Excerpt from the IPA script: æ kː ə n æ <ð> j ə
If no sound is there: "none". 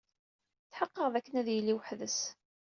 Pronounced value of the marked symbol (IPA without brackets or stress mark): ð